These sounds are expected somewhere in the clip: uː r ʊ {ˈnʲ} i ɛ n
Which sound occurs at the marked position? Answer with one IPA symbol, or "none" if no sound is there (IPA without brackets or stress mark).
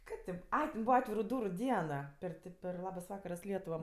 dʲ